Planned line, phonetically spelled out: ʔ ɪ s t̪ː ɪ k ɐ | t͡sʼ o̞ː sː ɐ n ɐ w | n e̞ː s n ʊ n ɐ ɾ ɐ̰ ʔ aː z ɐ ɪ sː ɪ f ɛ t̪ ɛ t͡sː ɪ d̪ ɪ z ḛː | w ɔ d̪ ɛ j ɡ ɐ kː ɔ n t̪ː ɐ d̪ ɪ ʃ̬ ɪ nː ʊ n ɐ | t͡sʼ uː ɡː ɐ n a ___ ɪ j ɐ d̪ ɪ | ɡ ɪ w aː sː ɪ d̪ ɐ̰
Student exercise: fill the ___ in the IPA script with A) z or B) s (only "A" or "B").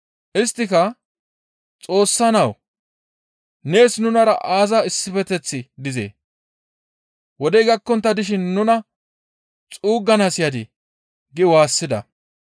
B